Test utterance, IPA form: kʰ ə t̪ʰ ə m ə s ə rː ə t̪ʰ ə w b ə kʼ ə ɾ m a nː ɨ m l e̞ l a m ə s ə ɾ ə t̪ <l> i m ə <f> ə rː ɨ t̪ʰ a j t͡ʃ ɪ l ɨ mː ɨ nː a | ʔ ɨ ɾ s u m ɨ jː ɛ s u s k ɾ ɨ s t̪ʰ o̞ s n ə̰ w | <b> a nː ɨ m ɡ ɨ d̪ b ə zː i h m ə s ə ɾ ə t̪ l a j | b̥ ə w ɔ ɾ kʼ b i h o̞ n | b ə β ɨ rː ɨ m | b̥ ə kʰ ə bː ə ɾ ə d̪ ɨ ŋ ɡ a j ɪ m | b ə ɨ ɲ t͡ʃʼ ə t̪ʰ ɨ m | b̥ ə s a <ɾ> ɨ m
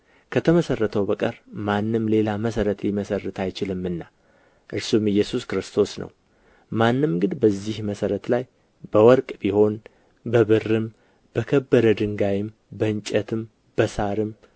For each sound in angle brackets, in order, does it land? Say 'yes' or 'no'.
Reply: yes, no, no, yes

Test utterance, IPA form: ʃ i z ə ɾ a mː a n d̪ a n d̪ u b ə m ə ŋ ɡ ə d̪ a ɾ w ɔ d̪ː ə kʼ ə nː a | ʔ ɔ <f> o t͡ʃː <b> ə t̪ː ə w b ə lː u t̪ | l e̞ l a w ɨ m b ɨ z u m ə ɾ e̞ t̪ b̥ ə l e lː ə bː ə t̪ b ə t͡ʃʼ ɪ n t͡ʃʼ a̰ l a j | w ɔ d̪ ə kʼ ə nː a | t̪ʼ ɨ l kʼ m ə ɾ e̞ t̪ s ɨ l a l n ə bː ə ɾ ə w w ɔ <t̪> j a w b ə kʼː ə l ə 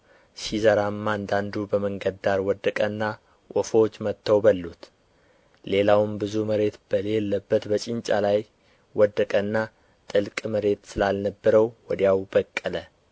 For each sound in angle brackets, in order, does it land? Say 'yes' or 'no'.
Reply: yes, no, no

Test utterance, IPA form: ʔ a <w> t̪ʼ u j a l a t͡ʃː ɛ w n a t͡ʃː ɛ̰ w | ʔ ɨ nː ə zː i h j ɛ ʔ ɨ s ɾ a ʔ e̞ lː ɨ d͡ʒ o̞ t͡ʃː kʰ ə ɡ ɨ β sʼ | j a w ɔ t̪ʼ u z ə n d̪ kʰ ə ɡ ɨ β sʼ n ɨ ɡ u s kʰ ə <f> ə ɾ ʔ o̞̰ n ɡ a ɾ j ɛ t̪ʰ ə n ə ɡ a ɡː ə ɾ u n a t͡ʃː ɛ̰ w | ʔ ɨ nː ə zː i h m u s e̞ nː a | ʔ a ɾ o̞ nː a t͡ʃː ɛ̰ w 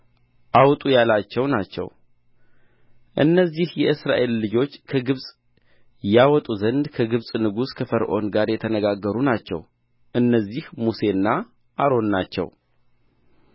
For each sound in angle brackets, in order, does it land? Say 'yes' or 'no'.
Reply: yes, yes

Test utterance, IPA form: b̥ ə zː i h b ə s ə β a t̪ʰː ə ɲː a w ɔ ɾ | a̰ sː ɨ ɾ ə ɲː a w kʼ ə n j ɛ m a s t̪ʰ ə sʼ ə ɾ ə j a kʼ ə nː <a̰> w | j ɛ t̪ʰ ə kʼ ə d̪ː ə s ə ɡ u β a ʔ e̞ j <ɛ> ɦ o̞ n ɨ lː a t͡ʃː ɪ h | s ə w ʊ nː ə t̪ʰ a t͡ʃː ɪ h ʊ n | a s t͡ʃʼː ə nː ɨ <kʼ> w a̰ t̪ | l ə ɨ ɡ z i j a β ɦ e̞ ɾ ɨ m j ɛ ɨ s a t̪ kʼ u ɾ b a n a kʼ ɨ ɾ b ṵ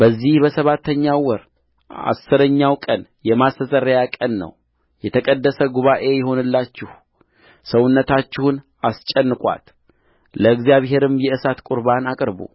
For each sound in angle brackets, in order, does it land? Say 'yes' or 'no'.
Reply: no, yes, yes

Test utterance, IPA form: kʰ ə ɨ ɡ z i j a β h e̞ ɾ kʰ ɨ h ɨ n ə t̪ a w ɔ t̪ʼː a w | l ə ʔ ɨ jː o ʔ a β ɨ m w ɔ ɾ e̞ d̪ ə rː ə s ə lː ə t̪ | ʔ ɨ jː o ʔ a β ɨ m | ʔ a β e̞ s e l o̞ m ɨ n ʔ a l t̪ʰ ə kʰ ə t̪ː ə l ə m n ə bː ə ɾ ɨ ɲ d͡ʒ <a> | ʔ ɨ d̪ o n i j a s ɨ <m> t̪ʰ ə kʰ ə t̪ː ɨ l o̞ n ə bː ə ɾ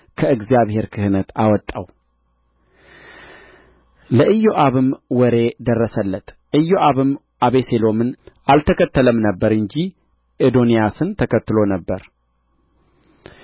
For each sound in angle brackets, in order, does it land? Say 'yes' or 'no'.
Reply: no, no

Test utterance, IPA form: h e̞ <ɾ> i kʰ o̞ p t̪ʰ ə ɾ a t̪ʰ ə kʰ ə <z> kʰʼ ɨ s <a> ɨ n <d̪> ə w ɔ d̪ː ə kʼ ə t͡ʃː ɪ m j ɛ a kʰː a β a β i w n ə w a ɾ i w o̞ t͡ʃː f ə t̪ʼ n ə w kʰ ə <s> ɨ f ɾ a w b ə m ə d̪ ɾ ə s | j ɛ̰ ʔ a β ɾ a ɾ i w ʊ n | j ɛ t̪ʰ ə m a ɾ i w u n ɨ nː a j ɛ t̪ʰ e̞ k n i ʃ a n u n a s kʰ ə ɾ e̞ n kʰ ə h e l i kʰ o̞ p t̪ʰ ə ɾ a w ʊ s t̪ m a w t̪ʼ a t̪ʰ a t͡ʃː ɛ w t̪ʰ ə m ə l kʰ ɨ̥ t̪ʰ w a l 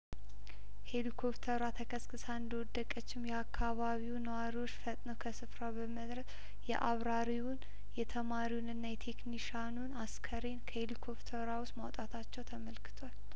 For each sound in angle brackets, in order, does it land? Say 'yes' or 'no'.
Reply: no, no, yes, yes, yes

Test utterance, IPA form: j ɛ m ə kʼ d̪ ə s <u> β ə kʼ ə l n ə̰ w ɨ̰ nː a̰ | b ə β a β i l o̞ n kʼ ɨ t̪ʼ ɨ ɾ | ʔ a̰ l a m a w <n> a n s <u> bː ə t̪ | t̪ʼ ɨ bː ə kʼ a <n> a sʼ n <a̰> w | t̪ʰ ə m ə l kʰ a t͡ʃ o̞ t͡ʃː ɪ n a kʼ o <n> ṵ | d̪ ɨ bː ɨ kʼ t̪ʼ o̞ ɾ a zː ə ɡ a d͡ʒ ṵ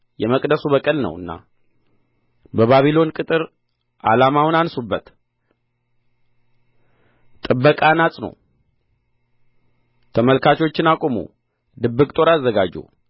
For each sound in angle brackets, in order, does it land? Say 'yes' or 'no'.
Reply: yes, yes, yes, yes, no, no

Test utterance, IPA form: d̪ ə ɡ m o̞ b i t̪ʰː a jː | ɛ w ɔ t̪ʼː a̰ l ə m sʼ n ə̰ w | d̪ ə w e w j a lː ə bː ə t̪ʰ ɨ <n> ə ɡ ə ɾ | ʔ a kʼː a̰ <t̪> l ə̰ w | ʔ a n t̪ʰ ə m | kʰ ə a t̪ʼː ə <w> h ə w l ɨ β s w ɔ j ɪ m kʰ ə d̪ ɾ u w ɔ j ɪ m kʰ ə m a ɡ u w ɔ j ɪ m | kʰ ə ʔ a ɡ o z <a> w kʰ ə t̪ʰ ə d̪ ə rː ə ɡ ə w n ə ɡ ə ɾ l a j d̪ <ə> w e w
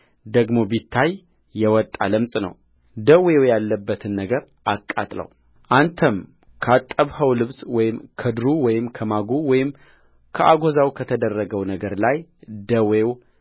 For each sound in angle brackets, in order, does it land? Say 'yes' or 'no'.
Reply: no, no, no, yes, yes

